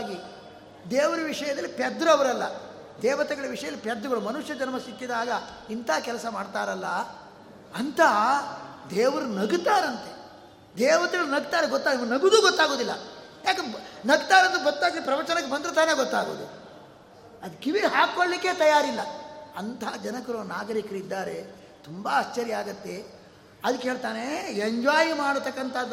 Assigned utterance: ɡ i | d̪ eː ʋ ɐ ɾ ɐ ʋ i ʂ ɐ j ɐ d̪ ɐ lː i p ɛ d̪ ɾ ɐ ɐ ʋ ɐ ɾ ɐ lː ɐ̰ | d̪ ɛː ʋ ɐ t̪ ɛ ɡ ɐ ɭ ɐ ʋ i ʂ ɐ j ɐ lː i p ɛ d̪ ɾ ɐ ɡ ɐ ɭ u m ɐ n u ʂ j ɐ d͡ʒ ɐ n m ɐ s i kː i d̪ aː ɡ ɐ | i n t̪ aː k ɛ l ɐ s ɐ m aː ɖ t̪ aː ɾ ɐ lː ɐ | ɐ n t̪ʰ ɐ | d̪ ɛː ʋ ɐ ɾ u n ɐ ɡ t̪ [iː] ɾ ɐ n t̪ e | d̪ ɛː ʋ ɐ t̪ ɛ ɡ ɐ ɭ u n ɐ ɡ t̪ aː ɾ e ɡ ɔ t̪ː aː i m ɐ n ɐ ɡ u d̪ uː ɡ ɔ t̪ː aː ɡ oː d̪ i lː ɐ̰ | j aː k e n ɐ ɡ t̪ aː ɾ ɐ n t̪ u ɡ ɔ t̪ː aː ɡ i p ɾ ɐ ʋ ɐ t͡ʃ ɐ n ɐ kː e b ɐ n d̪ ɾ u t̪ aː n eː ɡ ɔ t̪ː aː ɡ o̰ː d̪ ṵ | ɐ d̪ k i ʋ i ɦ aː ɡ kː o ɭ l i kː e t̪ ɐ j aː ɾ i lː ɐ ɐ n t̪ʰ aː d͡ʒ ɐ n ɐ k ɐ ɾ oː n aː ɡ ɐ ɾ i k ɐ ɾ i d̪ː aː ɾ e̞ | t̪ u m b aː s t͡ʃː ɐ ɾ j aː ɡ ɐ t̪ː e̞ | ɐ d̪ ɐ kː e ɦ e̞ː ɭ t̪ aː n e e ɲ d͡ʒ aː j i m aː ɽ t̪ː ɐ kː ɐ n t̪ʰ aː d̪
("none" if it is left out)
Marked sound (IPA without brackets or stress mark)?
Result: aː